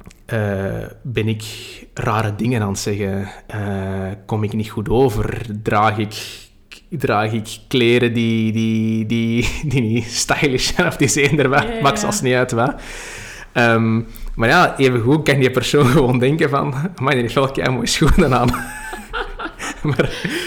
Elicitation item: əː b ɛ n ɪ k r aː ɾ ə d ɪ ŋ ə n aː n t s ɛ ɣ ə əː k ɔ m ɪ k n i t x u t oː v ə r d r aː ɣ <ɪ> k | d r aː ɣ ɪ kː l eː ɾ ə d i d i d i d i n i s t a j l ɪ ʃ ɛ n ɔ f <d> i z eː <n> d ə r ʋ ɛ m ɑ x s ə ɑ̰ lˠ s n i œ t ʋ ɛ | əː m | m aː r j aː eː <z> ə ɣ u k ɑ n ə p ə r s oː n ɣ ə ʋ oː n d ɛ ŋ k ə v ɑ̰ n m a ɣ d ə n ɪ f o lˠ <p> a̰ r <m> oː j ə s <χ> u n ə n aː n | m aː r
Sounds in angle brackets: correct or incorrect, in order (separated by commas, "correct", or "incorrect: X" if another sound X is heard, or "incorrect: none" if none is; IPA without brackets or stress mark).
correct, correct, correct, incorrect: v, incorrect: k, correct, incorrect: x